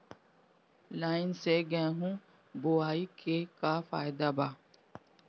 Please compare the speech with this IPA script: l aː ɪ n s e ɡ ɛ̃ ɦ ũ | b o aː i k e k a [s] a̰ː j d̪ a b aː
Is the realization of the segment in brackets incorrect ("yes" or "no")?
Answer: yes